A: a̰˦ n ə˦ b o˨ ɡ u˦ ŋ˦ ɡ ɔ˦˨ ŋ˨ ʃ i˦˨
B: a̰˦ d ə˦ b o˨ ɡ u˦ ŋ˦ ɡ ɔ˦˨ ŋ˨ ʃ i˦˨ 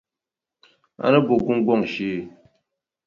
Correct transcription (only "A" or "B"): A